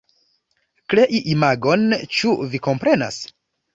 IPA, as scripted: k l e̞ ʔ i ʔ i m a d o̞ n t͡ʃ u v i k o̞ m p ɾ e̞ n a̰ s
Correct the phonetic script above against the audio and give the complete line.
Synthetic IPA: k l e̞ ʔ i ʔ i m a ɡ o̞ n t͡ʃ u v i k o̞ m p ɾ e̞ n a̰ s